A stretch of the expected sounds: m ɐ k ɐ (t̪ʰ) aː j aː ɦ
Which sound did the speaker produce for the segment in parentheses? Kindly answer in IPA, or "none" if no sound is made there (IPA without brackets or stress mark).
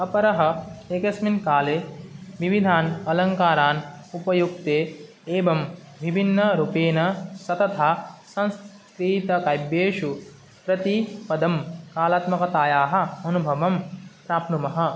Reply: t̪